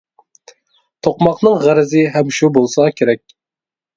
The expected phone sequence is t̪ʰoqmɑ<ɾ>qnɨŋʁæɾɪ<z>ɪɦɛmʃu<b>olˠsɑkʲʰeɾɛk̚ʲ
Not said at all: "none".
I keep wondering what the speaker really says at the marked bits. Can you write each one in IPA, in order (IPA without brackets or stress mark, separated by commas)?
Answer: none, z, b